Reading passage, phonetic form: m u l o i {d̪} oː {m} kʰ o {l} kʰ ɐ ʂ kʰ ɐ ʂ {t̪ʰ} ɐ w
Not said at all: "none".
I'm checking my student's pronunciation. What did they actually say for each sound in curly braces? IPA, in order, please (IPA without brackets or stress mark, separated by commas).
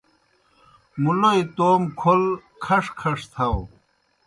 t̪, m, l, t̪ʰ